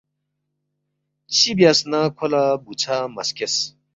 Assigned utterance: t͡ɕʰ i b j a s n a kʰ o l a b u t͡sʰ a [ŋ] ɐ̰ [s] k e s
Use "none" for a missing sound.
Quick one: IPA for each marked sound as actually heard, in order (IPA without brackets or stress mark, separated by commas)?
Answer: m, s